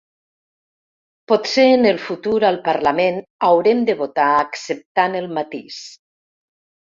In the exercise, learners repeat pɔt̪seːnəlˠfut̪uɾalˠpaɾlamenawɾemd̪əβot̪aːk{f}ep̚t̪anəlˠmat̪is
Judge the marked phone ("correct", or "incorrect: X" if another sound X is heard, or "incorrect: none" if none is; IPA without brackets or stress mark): incorrect: s